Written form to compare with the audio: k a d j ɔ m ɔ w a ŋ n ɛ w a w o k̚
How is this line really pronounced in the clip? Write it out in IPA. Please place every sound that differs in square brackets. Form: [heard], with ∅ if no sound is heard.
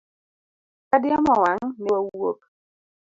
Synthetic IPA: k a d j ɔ m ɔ w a ŋ n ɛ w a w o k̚